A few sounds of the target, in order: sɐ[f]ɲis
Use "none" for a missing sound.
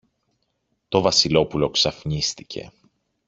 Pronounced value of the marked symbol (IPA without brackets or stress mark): f